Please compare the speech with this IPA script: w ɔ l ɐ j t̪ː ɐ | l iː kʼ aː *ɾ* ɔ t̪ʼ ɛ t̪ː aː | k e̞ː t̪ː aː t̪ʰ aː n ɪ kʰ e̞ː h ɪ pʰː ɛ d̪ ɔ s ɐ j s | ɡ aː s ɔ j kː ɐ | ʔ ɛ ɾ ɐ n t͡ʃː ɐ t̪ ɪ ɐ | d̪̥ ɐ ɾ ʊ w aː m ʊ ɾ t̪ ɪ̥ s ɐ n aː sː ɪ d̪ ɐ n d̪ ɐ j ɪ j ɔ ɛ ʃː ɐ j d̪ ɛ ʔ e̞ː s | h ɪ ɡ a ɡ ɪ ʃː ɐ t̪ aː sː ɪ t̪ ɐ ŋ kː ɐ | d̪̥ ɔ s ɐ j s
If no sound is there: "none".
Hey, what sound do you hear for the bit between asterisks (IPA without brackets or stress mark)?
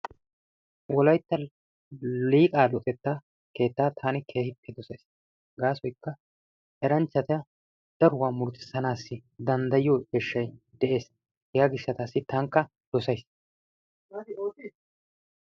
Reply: l